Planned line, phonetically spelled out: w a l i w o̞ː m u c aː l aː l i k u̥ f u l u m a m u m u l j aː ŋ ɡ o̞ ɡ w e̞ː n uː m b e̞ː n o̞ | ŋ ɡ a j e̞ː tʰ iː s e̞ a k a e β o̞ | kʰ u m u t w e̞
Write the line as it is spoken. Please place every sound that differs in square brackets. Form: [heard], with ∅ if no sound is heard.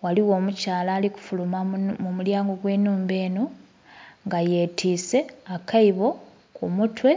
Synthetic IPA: w a l i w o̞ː m u c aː l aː l i k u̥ f u l u m a m u m u l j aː ŋ ɡ o̞ ɡ w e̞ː n uː m b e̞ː n o̞ | ŋ ɡ a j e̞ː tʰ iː s e̞ a k a [i] β o̞ | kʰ u m u t w e̞